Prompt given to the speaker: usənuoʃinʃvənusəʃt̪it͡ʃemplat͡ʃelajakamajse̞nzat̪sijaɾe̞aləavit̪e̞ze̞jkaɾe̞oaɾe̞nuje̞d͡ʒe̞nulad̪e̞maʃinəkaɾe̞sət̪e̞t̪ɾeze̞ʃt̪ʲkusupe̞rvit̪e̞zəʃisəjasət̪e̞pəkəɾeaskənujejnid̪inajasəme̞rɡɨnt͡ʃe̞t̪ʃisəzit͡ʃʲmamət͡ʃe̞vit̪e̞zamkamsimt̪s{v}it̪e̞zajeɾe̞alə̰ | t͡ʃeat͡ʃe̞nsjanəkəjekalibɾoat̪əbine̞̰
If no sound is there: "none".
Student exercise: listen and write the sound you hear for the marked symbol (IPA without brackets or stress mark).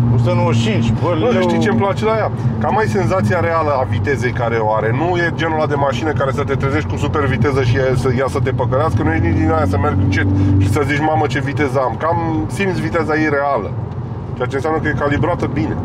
v